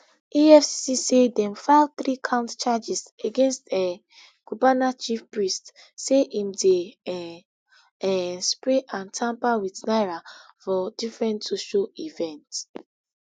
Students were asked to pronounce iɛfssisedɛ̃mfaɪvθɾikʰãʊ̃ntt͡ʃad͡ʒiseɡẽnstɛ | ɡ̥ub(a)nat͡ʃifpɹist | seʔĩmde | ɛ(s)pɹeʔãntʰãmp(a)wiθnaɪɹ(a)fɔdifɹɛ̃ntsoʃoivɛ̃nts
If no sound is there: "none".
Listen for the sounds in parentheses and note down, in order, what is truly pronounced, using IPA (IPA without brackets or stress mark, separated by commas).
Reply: a, s, a, a